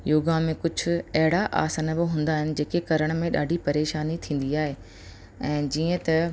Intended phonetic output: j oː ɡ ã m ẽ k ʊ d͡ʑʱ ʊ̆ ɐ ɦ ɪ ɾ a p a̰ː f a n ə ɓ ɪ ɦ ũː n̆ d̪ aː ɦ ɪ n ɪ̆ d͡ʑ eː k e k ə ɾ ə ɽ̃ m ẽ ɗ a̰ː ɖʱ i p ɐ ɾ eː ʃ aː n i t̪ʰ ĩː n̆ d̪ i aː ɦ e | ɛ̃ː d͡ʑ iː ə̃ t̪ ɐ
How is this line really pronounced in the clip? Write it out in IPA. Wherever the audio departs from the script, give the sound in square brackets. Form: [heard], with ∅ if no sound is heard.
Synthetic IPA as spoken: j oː ɡ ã m ẽ k ʊ d͡ʑʱ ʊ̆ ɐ ɦ ɪ [ɽ] a [ʔ] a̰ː [s] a n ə [b] ɪ ɦ ũː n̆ d̪ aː ɦ ɪ n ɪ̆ d͡ʑ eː k e k [ɐ] ɾ ə ɽ̃ m ẽ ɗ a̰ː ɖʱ i p ɐ ɾ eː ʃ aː n i t̪ʰ ĩː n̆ d̪ i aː ɦ e | ɛ̃ː d͡ʑ iː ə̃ t̪ ɐ